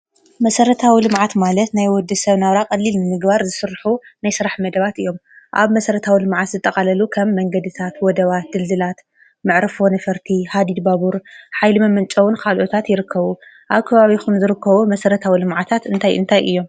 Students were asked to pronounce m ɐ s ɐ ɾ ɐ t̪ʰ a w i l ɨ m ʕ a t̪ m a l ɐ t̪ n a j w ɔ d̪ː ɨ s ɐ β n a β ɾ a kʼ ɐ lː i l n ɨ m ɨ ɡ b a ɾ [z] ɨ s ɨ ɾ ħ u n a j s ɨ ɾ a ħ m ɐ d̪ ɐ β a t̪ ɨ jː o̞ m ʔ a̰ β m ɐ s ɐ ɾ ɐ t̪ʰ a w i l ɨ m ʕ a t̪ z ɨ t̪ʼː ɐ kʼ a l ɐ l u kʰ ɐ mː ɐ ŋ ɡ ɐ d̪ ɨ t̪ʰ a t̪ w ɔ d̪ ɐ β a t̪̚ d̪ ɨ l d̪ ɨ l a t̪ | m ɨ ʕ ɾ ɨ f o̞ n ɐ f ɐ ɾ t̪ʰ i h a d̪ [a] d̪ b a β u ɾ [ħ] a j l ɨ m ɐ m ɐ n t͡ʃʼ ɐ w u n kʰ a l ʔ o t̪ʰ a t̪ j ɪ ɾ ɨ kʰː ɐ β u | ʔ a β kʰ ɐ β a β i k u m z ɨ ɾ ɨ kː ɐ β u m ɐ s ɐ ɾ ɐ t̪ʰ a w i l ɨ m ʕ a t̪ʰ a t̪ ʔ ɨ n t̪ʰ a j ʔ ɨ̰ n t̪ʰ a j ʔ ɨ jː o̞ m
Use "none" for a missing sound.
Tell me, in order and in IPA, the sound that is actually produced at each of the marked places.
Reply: z, i, ħ

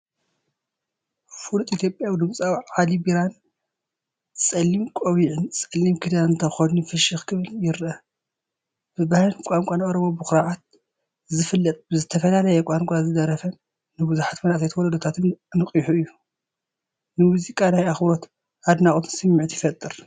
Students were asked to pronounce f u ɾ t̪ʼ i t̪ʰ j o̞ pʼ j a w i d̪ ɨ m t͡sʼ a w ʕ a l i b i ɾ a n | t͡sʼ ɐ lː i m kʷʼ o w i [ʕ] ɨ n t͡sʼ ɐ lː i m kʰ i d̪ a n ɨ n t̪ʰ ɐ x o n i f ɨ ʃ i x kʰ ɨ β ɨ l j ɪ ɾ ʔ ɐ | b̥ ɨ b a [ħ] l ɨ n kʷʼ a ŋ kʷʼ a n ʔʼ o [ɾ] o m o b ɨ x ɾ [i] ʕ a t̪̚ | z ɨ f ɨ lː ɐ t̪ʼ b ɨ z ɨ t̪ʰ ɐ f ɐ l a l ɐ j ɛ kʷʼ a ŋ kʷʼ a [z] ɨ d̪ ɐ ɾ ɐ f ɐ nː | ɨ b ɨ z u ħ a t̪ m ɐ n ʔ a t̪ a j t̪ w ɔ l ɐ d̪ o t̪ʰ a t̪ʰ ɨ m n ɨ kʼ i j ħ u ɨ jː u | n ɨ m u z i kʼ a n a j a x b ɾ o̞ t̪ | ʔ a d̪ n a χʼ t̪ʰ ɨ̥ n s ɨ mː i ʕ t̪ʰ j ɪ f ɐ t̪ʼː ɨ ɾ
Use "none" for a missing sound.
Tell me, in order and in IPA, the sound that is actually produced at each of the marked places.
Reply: ʕ, h, ɾ, a, z

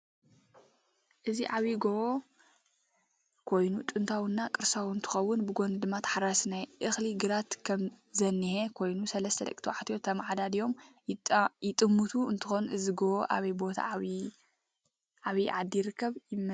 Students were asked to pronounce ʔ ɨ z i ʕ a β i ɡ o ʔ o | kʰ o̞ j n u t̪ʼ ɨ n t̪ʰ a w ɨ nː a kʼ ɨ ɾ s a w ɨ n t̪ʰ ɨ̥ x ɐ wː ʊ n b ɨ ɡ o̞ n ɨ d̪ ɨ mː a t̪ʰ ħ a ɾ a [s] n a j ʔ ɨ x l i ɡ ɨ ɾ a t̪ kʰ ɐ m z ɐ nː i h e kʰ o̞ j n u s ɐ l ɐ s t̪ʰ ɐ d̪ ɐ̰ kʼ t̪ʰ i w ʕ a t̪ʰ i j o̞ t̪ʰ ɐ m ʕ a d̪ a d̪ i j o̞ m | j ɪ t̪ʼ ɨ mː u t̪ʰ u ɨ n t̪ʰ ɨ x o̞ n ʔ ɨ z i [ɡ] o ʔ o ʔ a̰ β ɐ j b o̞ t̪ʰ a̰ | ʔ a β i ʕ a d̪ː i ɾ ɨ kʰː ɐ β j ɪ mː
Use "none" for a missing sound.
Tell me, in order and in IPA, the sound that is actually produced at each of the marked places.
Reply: s, ɡ

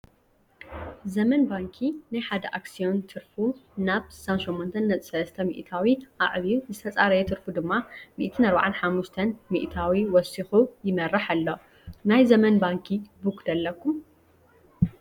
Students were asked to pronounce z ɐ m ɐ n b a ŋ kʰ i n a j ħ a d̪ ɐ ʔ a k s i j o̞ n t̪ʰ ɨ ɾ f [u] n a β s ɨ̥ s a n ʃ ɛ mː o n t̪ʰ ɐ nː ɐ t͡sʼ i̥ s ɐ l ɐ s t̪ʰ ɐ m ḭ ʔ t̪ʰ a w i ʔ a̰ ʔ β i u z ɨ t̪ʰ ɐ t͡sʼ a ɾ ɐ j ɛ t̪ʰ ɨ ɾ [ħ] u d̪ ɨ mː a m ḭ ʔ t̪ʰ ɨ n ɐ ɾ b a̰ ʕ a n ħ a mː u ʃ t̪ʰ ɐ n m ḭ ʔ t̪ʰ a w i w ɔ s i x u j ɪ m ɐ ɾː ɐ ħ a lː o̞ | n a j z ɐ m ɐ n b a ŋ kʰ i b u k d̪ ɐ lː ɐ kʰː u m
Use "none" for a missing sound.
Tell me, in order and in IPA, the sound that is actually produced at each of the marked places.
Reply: u, f

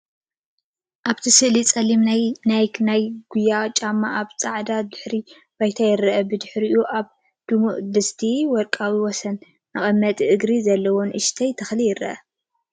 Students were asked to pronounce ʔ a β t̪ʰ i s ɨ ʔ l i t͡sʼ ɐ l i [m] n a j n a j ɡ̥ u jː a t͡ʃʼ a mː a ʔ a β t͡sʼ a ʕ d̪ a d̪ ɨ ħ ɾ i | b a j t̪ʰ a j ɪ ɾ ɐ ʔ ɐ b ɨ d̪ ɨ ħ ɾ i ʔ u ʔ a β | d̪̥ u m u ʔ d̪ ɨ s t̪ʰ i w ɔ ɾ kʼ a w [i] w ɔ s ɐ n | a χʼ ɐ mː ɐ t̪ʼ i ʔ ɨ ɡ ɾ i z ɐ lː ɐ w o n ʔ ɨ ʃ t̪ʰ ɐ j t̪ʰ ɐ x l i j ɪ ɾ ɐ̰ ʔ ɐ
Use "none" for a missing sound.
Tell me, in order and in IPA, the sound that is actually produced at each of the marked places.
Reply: m, i

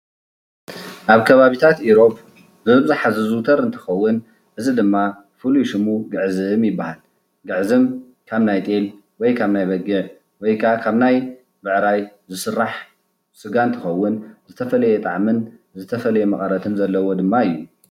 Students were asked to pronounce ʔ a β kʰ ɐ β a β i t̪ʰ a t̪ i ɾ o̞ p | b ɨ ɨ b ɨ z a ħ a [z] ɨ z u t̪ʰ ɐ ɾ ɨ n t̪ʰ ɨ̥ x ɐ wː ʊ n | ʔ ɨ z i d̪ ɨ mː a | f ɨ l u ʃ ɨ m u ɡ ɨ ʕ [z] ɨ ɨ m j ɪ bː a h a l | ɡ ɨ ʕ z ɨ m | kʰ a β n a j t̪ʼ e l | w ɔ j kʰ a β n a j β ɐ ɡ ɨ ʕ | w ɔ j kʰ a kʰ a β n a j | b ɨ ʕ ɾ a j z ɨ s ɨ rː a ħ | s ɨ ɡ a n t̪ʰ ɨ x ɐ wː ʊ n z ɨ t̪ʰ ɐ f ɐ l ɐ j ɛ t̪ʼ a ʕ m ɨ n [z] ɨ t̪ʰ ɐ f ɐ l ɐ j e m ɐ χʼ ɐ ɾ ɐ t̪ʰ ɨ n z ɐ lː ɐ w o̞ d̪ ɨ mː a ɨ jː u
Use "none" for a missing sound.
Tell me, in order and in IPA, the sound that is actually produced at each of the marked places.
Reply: z, z, z

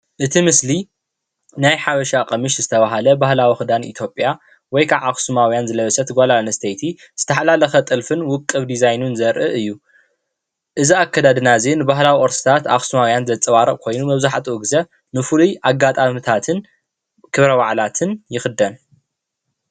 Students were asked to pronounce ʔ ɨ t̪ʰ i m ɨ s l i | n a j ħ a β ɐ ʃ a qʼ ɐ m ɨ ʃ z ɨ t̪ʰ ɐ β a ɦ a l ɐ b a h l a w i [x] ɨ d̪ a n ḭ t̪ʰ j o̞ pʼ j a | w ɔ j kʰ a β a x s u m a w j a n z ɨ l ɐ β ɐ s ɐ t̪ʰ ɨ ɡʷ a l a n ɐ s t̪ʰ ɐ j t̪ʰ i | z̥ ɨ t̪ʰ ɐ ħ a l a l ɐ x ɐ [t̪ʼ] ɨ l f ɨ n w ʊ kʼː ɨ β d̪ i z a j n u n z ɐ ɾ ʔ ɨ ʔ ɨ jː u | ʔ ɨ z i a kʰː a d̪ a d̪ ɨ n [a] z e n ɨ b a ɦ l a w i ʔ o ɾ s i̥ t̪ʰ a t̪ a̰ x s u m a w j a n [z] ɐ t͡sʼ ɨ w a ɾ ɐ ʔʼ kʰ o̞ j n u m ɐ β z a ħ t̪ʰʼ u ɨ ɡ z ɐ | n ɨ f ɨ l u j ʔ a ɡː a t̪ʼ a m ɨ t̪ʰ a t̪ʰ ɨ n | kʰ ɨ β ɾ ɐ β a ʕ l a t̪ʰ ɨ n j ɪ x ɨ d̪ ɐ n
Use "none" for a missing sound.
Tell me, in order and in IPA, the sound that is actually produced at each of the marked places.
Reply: x, t̪ʼ, a, z

